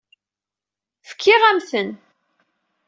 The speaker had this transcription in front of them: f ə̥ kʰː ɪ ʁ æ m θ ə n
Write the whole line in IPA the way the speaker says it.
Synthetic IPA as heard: f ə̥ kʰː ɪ ʁ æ m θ ə n